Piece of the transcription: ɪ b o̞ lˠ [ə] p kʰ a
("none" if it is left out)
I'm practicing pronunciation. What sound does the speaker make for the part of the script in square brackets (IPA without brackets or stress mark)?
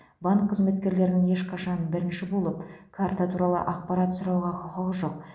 ə